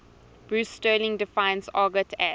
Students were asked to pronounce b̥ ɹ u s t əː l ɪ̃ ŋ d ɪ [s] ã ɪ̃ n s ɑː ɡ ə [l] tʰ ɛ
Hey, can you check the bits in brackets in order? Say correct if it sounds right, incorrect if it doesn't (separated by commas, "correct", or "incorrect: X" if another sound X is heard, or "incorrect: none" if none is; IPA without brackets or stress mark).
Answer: incorrect: f, incorrect: none